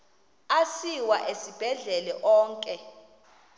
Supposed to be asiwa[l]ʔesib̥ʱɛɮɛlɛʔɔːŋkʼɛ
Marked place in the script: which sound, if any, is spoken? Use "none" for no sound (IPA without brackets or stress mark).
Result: none